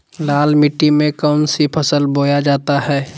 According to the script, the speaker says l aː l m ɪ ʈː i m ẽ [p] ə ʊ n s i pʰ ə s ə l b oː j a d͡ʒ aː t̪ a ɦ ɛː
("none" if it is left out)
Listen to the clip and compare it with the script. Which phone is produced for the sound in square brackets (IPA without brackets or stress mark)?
k